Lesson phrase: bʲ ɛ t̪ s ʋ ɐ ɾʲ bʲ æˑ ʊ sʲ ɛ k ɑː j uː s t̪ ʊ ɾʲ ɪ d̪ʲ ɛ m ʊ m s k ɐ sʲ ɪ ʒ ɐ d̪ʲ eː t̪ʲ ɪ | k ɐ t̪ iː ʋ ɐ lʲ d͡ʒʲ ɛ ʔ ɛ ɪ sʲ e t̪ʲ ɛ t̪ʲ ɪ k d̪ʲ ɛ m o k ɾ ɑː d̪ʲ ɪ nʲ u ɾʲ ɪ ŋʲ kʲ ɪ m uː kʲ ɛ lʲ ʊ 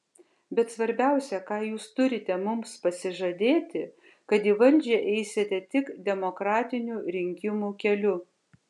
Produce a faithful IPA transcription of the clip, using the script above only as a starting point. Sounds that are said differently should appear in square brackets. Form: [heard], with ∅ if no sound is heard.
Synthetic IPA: bʲ ɛ t̪ s ʋ ɐ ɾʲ bʲ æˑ ʊ sʲ ɛ k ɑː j uː s t̪ ʊ ɾʲ ɪ [t̪ʲ] ɛ m ʊ m s [p] ɐ sʲ ɪ ʒ ɐ d̪ʲ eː t̪ʲ ɪ | k ɐ t̪ iː ʋ ɐ lʲ d͡ʒʲ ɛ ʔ ɛ ɪ sʲ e t̪ʲ ɛ t̪ʲ ɪ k d̪ʲ ɛ m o k ɾ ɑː [t̪ʲ] ɪ nʲ u ɾʲ ɪ ŋʲ kʲ ɪ m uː kʲ ɛ lʲ ʊ